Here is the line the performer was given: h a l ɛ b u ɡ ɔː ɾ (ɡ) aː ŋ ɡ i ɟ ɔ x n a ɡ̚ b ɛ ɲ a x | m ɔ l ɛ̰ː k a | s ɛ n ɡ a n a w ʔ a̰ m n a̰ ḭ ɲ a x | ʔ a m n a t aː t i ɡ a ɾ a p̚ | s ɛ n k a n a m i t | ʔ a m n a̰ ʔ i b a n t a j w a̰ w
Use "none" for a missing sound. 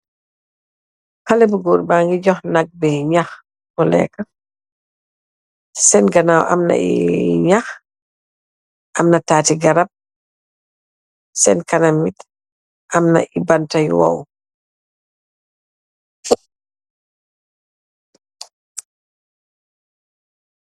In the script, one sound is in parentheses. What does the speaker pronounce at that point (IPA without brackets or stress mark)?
b